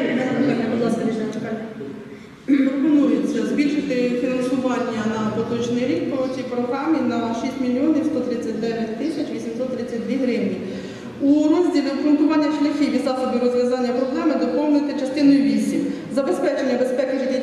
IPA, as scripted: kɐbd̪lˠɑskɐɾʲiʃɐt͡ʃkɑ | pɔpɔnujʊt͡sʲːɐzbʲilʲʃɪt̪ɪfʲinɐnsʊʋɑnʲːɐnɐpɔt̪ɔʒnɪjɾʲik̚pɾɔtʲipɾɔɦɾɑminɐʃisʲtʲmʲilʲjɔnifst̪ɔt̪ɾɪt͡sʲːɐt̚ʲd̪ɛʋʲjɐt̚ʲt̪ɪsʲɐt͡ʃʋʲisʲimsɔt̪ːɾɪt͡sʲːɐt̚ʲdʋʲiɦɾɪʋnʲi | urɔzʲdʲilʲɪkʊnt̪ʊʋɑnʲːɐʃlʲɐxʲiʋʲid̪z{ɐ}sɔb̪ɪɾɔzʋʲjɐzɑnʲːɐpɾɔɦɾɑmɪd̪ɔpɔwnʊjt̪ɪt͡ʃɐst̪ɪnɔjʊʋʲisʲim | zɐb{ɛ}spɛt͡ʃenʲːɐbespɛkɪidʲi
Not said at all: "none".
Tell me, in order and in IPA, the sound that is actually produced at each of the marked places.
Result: ɑ, e

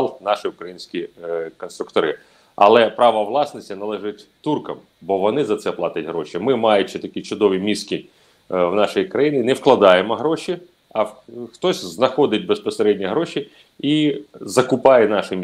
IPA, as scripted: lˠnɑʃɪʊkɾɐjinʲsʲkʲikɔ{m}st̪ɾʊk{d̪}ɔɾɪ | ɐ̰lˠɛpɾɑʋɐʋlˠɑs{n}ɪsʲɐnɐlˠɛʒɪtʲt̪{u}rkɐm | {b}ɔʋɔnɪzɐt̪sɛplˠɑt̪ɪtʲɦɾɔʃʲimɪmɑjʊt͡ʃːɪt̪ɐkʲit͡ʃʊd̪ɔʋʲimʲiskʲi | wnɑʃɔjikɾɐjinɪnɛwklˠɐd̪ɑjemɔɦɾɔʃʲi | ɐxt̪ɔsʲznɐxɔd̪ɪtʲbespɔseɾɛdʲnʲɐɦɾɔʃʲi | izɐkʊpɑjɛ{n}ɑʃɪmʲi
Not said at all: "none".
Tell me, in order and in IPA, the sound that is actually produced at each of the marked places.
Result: n, t̪, n, u, b, n

